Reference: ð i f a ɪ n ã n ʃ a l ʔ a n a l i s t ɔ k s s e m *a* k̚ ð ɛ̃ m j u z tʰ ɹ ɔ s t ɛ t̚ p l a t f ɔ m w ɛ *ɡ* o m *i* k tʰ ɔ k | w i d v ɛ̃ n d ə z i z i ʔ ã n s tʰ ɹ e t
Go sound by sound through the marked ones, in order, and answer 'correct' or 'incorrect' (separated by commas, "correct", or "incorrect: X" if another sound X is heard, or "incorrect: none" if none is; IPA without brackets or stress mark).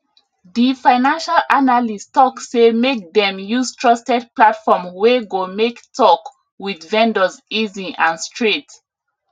incorrect: e, correct, incorrect: e